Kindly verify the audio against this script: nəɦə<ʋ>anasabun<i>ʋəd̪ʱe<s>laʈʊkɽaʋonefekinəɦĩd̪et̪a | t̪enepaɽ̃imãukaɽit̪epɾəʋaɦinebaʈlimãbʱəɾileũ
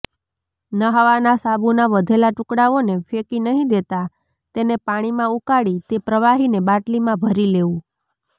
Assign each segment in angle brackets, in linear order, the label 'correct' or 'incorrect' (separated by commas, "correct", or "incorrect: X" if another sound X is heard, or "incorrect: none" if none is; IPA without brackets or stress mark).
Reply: correct, incorrect: a, incorrect: none